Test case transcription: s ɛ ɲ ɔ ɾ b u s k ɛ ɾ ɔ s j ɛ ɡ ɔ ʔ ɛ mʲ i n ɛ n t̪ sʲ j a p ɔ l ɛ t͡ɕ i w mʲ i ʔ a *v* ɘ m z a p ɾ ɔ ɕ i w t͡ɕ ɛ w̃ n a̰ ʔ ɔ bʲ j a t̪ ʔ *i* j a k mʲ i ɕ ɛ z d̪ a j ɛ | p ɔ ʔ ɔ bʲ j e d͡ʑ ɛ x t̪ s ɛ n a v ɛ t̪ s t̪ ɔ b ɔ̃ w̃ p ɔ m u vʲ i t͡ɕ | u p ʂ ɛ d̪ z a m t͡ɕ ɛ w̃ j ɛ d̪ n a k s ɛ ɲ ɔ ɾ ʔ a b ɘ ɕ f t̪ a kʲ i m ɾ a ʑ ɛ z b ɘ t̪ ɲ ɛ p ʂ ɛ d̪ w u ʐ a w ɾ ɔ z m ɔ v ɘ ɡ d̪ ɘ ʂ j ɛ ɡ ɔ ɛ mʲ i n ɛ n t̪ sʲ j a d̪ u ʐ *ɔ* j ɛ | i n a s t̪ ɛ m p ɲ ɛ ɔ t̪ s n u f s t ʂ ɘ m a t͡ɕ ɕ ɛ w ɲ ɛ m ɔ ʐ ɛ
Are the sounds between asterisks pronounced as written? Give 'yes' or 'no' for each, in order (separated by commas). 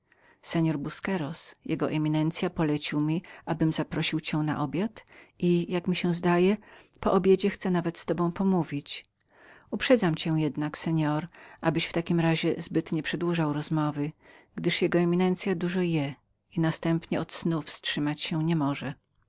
no, yes, yes